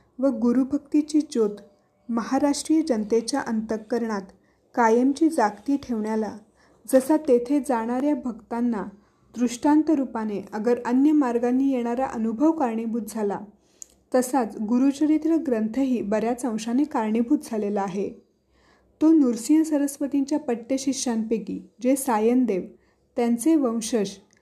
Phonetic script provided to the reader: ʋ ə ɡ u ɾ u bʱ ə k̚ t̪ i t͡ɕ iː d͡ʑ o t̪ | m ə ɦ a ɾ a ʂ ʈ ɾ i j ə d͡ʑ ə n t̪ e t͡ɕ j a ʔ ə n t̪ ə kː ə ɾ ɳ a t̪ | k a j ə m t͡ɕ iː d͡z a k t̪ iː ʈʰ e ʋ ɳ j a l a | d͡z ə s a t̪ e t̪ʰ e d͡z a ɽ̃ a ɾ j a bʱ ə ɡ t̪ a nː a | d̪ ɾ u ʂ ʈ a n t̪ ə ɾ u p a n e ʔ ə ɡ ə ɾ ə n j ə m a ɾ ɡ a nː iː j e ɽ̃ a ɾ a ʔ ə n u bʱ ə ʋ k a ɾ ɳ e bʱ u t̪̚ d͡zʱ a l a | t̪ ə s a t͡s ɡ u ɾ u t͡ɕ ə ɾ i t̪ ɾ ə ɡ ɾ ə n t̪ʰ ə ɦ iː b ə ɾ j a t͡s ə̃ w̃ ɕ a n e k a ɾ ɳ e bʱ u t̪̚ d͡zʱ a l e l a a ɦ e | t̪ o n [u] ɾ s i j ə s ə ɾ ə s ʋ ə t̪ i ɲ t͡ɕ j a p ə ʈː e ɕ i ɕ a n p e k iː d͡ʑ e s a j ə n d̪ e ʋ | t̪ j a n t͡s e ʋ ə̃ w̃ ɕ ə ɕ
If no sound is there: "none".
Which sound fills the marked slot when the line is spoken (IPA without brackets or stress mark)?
u